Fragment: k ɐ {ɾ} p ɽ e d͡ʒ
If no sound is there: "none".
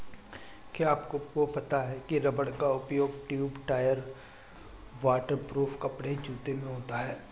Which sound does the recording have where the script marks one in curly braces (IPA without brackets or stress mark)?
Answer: none